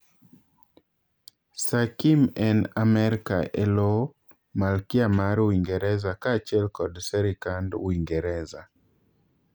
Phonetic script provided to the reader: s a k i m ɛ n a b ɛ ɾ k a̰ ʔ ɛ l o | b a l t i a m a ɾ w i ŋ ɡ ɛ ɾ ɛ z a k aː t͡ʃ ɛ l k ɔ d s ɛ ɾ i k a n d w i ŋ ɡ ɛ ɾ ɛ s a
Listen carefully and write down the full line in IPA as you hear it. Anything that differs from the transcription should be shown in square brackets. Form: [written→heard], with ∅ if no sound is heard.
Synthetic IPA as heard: s a k i m ɛ n a [b→m] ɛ ɾ k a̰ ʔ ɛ l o | [b→m] a l [t→k] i a m a ɾ w i ŋ ɡ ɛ ɾ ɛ z a k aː t͡ʃ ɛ l k ɔ d s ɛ ɾ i k a n d w i ŋ ɡ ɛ ɾ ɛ [s→z] a